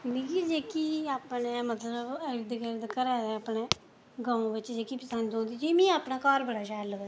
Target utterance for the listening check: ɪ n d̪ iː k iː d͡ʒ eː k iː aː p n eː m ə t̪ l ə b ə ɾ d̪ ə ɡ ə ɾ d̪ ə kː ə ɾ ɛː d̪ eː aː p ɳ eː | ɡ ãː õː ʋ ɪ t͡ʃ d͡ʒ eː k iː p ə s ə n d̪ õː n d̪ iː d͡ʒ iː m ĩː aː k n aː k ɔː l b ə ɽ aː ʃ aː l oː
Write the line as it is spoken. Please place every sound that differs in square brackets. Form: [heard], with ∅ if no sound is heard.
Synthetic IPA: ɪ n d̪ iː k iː d͡ʒ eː k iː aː p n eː m ə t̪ l ə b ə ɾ d̪ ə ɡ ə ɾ d̪ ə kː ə ɾ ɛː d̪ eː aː p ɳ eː | ɡ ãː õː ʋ ɪ t͡ʃ d͡ʒ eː k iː p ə s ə n d̪ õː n d̪ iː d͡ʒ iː m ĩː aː [p] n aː k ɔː [ɾ] b ə ɽ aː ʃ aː l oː